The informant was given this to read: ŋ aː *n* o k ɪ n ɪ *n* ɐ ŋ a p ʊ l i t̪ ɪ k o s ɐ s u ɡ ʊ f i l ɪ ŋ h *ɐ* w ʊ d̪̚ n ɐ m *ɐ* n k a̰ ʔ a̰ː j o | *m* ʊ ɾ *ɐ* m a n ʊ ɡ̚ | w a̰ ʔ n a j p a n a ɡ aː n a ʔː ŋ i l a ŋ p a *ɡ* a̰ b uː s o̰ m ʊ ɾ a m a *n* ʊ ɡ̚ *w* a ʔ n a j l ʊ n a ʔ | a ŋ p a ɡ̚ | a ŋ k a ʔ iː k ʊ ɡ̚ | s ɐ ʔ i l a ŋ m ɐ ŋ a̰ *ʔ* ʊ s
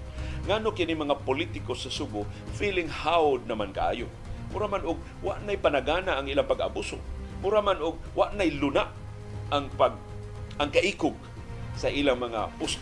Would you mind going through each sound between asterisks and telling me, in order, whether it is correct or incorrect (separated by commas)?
correct, incorrect, incorrect, incorrect, correct, incorrect, correct, correct, correct, incorrect